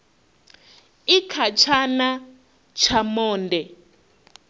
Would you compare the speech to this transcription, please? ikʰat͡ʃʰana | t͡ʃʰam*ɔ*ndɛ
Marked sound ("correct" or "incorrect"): incorrect